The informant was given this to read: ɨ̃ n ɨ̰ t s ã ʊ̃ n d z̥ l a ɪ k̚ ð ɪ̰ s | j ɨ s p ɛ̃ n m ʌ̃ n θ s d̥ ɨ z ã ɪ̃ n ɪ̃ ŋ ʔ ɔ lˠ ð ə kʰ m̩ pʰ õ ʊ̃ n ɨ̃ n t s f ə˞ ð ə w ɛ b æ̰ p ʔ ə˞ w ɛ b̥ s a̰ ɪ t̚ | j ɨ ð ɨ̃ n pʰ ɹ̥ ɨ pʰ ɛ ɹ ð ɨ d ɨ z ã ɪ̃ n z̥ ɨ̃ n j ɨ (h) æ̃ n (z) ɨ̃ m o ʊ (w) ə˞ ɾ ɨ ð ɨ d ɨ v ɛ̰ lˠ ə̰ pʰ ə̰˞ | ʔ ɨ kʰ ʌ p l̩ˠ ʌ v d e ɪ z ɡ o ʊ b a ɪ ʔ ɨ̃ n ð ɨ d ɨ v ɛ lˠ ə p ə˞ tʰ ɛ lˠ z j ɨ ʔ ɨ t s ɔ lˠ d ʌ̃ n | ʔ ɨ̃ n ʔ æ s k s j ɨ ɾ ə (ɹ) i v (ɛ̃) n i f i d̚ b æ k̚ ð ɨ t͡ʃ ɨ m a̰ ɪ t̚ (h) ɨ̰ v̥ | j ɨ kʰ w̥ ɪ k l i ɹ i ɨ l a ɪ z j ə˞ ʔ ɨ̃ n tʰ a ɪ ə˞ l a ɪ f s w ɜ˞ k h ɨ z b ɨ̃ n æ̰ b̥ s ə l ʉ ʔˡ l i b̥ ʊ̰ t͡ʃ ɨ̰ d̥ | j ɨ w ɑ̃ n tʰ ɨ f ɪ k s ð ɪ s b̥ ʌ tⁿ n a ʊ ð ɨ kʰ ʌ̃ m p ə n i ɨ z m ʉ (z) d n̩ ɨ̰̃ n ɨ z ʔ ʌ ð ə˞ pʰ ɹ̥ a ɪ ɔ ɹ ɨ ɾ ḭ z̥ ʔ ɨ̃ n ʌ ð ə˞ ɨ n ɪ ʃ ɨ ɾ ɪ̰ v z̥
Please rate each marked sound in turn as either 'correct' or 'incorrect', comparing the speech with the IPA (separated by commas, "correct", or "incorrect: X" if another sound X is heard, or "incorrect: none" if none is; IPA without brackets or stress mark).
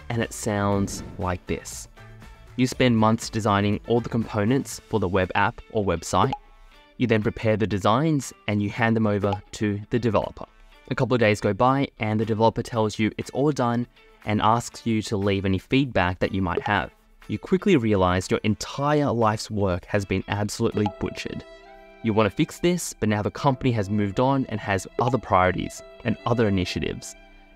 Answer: correct, incorrect: ð, incorrect: v, incorrect: l, incorrect: ɛ, correct, incorrect: v